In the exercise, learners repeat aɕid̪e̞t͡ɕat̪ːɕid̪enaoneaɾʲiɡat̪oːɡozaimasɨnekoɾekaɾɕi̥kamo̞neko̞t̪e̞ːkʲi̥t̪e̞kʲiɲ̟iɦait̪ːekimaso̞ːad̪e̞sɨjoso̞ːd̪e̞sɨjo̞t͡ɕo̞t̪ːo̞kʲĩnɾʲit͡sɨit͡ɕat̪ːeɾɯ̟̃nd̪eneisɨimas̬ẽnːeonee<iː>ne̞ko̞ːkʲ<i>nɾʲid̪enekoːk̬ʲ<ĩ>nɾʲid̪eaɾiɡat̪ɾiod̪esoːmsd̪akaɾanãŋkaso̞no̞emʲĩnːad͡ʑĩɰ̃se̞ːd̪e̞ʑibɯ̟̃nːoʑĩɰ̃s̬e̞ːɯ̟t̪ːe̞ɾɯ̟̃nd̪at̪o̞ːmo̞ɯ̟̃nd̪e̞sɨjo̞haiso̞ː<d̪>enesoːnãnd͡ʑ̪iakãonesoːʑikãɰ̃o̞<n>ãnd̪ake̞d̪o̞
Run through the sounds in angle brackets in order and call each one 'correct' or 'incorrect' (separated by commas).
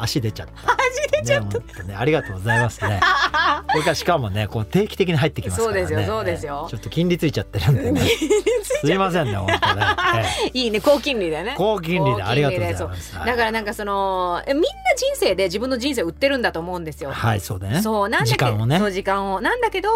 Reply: correct, incorrect, correct, correct, correct